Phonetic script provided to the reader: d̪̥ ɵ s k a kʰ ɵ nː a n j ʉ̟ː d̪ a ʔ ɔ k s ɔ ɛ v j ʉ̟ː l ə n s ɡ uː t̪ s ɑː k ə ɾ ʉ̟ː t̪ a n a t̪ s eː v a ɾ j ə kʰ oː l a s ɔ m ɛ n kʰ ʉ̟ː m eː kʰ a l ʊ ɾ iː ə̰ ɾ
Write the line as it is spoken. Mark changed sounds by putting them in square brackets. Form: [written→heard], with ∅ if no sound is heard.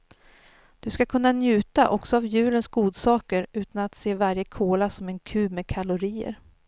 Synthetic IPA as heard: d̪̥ ɵ s k a kʰ ɵ nː a n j ʉ̟ː [d̪→t̪] a ʔ ɔ k s ɔ [ɛ→a] v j ʉ̟ː l ə n s ɡ uː [t̪→d̪] s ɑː k ə ɾ ʉ̟ː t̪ a n a t̪ s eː v a ɾ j ə kʰ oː l a s ɔ m ɛ n kʰ ʉ̟ː m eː kʰ a l ʊ ɾ iː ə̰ ɾ